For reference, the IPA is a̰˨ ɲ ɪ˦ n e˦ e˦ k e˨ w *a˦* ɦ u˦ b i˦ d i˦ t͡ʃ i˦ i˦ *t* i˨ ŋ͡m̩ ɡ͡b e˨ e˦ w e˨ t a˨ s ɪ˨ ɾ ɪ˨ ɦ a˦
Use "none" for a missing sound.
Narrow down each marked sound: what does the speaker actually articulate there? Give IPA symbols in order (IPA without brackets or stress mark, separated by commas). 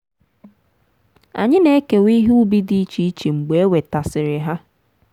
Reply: i˦, t͡ʃ